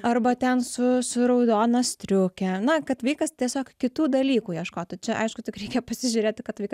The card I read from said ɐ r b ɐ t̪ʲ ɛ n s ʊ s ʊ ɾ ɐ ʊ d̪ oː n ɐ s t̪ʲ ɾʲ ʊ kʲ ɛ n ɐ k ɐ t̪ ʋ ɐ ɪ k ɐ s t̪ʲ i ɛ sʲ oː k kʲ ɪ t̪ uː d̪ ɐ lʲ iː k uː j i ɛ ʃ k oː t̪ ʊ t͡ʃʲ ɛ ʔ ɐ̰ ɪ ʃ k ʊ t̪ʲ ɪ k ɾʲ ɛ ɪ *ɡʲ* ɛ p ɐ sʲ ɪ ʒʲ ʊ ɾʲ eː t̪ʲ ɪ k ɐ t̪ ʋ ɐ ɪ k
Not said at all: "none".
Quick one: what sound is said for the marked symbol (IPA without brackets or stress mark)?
kʲ